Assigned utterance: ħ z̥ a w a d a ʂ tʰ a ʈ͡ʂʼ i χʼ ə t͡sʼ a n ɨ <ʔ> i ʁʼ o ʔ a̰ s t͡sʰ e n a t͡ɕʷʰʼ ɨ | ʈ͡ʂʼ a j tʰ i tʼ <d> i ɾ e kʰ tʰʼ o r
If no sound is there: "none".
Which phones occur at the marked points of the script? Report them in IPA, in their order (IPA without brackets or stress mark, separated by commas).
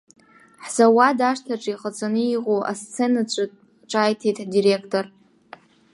none, d